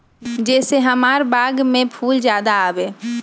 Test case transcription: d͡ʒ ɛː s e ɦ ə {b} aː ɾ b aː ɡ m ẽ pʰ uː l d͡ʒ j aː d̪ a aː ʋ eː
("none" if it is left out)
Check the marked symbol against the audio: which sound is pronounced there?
m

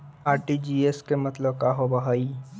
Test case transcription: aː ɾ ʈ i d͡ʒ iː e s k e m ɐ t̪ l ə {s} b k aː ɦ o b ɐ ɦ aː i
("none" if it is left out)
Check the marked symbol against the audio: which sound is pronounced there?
none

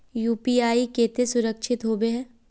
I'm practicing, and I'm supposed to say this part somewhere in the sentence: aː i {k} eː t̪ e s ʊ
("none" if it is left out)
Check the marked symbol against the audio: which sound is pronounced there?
k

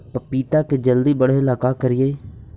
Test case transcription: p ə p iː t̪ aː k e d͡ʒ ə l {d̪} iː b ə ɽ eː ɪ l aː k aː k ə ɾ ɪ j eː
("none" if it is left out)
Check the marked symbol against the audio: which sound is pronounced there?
d̪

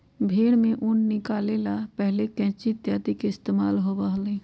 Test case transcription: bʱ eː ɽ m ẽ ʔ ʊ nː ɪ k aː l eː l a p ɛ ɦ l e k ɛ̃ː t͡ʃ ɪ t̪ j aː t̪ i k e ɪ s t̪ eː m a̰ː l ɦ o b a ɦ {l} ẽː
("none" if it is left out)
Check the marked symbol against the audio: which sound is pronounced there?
l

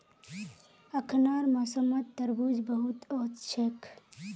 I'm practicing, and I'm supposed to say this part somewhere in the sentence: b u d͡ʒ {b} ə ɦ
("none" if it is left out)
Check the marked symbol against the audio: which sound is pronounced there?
b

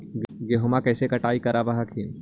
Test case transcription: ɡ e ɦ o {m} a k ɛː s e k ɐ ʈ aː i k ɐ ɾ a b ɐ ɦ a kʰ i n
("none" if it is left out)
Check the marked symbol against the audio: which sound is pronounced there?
m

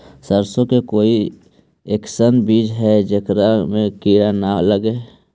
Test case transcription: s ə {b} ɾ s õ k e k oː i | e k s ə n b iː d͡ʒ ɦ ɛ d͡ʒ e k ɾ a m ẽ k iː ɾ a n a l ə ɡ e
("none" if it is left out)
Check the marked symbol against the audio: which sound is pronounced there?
none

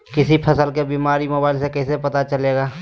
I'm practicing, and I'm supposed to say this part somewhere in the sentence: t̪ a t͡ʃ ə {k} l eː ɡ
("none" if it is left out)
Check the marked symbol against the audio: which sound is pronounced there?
none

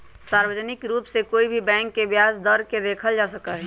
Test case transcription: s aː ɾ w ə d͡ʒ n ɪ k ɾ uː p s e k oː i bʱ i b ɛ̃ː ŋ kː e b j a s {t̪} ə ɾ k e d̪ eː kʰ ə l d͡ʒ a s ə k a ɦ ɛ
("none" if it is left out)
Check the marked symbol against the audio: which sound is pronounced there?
d̪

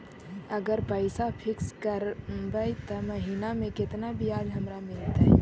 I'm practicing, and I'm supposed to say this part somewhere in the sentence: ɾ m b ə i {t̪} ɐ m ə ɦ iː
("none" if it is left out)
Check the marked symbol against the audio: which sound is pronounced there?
t̪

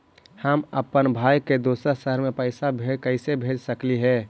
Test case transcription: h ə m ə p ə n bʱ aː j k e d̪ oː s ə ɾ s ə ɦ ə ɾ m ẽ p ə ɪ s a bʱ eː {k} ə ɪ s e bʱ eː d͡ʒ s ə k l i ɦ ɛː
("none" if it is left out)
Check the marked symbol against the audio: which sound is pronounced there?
k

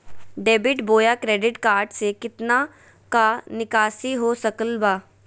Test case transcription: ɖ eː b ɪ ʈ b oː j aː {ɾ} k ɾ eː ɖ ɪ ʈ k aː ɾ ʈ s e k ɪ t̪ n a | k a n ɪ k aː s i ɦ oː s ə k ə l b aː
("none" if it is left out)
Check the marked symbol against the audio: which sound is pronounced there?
none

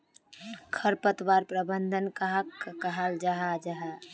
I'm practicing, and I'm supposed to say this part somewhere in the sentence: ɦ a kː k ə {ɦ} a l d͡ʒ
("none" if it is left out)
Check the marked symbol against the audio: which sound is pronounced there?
ɦ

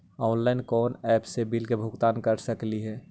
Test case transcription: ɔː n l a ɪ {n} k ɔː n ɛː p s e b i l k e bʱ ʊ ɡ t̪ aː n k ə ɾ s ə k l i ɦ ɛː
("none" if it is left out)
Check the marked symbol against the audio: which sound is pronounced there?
n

